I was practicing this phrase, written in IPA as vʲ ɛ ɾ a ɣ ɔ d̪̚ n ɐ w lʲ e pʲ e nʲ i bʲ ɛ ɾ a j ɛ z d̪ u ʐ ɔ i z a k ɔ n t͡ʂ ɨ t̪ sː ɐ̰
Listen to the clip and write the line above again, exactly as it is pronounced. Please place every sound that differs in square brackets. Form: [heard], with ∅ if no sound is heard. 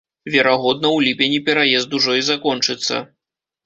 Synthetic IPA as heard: vʲ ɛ ɾ a ɣ ɔ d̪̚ n ɐ w lʲ [i] pʲ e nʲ i [pʲ] ɛ ɾ a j ɛ z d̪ u ʐ ɔ i z a k ɔ n t͡ʂ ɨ t̪ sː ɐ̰